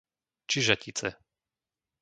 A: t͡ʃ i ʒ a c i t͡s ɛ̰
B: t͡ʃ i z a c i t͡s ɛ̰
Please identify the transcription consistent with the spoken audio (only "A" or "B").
A